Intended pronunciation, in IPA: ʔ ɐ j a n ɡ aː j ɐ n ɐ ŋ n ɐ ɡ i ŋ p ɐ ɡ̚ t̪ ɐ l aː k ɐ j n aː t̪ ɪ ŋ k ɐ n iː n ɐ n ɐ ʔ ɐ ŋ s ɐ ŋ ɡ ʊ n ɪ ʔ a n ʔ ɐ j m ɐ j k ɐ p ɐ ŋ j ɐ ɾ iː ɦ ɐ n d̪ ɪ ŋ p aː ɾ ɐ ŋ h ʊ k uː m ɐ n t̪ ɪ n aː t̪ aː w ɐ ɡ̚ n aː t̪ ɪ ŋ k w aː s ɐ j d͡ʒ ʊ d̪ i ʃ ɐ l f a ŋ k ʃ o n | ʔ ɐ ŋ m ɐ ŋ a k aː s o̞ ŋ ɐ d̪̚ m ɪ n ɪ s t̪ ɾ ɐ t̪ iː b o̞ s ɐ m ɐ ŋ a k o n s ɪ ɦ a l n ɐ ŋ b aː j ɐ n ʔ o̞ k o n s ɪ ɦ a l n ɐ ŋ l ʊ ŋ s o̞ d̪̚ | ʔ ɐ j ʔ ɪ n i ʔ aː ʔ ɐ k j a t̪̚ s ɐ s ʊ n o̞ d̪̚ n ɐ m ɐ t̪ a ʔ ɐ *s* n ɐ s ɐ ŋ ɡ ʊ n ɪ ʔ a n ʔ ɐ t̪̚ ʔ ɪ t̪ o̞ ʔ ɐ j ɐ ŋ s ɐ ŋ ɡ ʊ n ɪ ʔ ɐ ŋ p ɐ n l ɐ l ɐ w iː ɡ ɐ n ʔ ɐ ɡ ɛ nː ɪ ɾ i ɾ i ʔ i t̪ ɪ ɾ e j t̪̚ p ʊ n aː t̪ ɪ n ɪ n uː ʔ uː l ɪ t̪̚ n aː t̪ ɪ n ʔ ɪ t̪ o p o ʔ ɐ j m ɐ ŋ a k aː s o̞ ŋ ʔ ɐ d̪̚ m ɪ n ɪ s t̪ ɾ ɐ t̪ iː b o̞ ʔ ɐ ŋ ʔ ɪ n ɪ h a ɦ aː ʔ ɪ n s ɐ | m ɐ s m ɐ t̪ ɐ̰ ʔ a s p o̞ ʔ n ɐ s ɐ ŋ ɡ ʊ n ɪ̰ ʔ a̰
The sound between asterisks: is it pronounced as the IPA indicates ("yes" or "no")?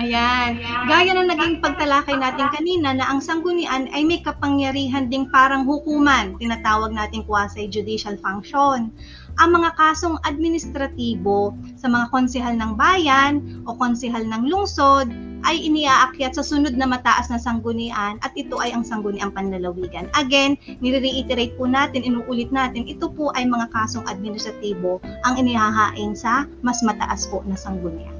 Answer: yes